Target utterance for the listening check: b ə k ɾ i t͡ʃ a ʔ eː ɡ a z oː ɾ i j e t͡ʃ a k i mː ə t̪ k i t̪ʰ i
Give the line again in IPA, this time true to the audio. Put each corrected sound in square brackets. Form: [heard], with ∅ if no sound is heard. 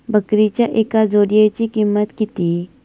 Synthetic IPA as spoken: b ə k ɾ i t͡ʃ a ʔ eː [k] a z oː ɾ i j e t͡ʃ [i] k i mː ə t̪ k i [t̪] i

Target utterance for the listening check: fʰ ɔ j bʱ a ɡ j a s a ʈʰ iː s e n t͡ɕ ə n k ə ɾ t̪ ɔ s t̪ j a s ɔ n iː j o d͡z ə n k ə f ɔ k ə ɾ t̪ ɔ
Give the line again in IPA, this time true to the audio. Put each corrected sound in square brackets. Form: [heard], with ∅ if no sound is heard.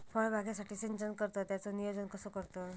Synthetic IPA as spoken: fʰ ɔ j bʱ a ɡ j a s a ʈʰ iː s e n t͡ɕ ə n k ə ɾ t̪ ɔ [∅] t̪ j a [t͡s] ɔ n [i] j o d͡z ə n k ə [s] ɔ k ə ɾ t̪ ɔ

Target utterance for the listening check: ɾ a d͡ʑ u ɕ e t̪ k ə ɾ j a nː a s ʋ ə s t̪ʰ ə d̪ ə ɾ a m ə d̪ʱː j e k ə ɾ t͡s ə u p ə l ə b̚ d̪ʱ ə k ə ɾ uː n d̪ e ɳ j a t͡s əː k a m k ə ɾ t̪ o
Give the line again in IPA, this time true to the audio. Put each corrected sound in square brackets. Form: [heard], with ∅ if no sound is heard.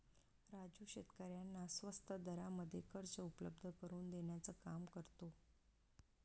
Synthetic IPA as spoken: ɾ a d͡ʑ u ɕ e t̪ k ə ɾ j a nː a s ʋ ə s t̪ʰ ə d̪ ə ɾ a m ə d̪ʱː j e k ə ɾ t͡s ə u p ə l ə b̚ d̪ʱ ə k ə ɾ uː n d̪ e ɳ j a t͡s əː k a m k ə ɾ t̪ o

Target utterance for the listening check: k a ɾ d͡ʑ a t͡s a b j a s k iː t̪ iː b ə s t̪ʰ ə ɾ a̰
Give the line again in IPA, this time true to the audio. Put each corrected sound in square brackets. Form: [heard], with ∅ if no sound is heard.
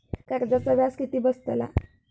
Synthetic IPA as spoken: k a ɾ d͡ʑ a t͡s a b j a s k [i] t̪ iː b ə s [t̪] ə [l] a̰

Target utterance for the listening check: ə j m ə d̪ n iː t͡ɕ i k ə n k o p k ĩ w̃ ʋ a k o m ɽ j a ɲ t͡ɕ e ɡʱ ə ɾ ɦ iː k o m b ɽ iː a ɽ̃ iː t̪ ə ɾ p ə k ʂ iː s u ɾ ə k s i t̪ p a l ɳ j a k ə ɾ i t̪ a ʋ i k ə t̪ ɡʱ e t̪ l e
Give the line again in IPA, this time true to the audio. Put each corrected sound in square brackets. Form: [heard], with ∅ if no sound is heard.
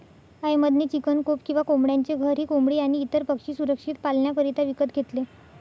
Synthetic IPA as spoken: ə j m ə d̪ n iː t͡ɕ i k ə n k o p k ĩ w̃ ʋ a k o m ɽ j a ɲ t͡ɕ e ɡʱ ə ɾ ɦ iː k o m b ɽ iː a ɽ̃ iː t̪ ə ɾ p ə k ʂ iː s u ɾ ə k [ʂ] i t̪ p a l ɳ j a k ə ɾ i t̪ a ʋ i k ə t̪ ɡʱ e t̪ l e

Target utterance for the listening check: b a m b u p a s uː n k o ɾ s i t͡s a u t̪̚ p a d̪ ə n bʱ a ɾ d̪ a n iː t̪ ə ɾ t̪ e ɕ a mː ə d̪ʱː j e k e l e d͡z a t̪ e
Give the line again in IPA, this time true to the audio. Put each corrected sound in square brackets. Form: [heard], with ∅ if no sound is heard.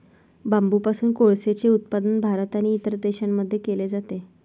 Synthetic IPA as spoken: b a m b u p a s uː n k o [ɭ] s [e] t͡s [e] u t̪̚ p a d̪ ə n bʱ a ɾ [t̪] a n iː t̪ ə ɾ [d̪] e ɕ a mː ə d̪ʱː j e k e l e d͡z a t̪ e

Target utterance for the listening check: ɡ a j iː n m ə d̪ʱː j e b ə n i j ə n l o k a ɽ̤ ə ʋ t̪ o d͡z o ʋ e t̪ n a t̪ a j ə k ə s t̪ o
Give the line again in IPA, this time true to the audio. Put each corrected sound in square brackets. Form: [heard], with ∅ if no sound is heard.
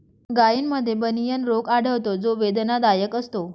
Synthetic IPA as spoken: ɡ a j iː n m ə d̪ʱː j e b ə n i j ə n [ɾ] o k a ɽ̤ ə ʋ t̪ o d͡z o ʋ e [d̪] n a [d̪] a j ə k ə s t̪ o

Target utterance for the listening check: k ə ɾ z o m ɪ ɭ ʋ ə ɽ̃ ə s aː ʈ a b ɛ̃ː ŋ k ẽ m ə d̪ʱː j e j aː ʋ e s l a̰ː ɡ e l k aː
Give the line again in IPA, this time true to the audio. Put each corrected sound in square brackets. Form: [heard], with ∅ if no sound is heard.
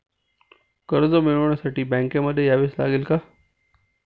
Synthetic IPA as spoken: k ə ɾ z o m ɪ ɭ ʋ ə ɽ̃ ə s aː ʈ [i] b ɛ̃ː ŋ k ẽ m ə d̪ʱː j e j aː ʋ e s l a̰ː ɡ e l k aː

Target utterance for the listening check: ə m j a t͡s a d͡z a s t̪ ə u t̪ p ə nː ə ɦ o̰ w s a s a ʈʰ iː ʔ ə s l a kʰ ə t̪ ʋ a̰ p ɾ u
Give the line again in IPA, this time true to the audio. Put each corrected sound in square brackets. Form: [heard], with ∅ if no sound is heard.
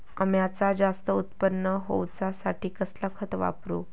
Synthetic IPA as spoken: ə m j a t͡s a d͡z a s t̪ ə u t̪ p ə nː ə ɦ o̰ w [t͡s] a s a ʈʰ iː [k] ə s l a kʰ ə t̪ ʋ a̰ p ɾ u

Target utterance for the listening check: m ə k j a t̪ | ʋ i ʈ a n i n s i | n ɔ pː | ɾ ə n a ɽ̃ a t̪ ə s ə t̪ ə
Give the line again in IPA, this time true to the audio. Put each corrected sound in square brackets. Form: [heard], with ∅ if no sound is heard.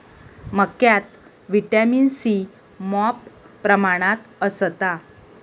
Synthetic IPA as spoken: m ə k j a t̪ | ʋ i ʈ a [m] i n s i | [m] ɔ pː | ɾ ə [m] a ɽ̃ a t̪ ə s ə t̪ [a]

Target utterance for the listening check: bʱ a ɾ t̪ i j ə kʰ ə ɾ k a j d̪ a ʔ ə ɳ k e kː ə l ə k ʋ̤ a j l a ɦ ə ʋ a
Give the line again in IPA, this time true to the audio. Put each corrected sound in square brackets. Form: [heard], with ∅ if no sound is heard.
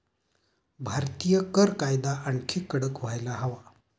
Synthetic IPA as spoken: bʱ a ɾ t̪ i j ə [k] ə ɾ k a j d̪ a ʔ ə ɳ [kʰ] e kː ə [ɽ] ə k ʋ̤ a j l a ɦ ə ʋ a

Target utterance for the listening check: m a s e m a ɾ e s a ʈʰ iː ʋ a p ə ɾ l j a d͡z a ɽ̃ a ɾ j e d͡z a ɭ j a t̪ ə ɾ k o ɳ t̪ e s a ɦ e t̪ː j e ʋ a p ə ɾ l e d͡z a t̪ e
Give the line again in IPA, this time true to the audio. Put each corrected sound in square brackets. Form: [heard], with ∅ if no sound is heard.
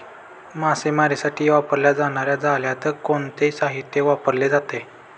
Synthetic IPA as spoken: m a s e m a ɾ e s a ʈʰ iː ʋ a p ə ɾ l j a d͡z a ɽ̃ a ɾ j [a] d͡z a [l] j a t̪ ə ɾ k o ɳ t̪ e s a ɦ [i] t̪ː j e ʋ a p ə ɾ l e d͡z a t̪ e

